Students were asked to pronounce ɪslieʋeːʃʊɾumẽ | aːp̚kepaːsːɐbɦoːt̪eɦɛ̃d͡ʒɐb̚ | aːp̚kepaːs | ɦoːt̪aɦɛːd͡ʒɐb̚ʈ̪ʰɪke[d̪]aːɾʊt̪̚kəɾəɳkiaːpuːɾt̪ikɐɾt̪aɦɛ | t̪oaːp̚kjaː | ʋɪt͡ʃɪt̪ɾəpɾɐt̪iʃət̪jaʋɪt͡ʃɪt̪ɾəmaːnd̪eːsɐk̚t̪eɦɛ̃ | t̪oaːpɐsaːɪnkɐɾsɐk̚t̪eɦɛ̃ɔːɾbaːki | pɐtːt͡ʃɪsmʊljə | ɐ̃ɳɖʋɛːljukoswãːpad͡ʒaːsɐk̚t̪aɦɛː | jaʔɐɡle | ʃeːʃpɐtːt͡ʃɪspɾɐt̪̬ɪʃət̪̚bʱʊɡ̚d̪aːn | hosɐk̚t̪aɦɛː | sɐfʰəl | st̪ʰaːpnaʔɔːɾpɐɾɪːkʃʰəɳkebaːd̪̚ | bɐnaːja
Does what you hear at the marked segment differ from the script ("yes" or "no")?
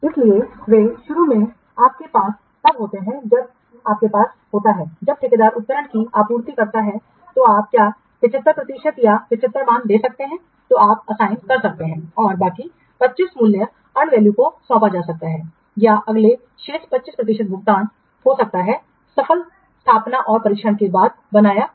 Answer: no